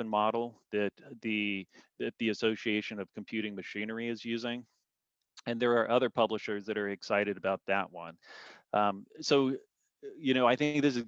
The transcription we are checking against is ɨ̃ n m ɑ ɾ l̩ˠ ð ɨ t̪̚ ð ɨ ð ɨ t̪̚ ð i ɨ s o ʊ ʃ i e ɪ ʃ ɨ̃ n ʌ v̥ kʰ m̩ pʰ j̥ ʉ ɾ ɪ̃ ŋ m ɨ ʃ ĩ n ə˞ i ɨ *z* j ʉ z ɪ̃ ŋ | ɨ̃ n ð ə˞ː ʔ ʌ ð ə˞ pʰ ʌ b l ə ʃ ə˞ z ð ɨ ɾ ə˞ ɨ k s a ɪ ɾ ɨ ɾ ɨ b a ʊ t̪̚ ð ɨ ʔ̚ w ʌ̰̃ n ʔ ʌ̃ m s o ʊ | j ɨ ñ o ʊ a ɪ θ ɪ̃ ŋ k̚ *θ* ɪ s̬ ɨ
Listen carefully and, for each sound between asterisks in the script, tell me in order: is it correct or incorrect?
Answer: correct, incorrect: ð

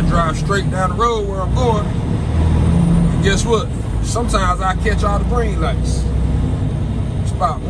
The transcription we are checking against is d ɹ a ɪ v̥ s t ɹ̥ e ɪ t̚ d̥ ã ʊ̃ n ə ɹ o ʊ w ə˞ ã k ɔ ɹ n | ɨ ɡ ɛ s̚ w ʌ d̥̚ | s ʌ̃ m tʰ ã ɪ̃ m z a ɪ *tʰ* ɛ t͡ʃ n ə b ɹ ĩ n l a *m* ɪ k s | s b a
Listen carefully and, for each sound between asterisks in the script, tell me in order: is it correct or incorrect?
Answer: incorrect: kʰ, incorrect: none

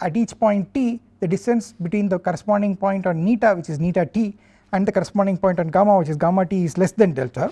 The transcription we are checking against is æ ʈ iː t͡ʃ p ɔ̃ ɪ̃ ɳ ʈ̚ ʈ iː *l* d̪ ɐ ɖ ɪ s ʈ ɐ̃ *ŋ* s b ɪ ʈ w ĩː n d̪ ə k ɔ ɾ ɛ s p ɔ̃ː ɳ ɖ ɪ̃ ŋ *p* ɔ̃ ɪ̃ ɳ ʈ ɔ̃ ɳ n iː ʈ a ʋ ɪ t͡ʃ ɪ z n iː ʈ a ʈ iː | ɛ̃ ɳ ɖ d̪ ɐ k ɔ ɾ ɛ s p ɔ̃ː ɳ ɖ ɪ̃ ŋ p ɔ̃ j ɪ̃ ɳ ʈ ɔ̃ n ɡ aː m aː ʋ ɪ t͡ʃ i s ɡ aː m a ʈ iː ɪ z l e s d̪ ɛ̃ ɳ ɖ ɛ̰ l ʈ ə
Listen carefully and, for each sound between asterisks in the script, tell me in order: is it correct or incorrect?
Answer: incorrect: none, incorrect: n, correct

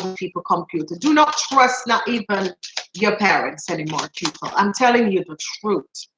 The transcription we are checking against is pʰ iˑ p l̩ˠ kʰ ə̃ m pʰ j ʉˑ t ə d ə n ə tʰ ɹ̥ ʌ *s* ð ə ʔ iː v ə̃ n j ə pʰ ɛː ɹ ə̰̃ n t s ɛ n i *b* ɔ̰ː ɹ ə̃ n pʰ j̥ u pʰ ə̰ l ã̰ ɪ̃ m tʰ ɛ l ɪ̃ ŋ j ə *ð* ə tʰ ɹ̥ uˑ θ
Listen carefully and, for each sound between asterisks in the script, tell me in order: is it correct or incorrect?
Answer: correct, incorrect: m, correct

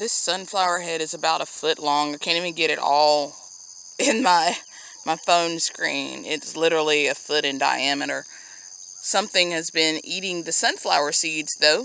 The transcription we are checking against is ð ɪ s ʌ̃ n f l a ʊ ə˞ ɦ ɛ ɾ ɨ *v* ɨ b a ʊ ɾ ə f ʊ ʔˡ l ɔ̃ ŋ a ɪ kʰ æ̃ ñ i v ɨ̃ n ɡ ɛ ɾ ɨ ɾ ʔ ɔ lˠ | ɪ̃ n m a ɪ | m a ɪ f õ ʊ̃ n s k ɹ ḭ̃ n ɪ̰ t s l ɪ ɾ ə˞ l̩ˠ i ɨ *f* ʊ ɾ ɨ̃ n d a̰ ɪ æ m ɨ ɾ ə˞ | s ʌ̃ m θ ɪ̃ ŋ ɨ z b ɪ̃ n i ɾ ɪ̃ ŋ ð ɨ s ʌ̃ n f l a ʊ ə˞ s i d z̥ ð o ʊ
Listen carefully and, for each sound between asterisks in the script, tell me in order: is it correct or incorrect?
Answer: incorrect: z, correct

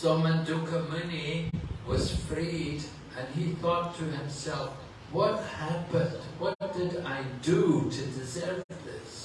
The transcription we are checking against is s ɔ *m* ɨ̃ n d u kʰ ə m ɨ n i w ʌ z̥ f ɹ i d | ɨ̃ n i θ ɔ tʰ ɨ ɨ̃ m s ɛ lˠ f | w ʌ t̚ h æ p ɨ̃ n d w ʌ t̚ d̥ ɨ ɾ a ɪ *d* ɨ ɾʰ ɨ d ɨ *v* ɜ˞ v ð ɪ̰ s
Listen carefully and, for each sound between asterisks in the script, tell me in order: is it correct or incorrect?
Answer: correct, correct, incorrect: z

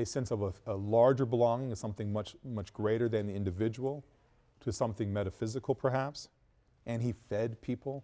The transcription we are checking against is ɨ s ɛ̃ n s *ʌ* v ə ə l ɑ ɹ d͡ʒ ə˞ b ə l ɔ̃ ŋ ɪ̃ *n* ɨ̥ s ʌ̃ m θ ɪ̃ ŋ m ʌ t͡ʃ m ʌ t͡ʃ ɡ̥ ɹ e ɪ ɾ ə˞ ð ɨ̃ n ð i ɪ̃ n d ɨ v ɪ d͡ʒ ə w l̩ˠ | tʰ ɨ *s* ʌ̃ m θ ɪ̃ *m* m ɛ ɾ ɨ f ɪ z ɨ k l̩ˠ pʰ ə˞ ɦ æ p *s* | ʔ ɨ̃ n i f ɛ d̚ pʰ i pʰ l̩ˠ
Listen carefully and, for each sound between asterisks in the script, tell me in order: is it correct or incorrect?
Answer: correct, incorrect: ŋ, correct, incorrect: ŋ, correct

